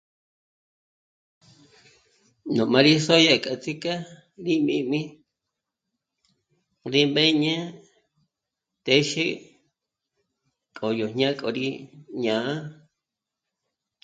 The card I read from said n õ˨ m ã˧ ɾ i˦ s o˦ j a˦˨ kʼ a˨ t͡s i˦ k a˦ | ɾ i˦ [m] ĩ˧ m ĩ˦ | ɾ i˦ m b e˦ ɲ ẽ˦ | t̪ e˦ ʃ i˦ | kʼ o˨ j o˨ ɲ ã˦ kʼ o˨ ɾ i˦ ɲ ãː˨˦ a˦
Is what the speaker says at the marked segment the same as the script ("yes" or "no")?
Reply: yes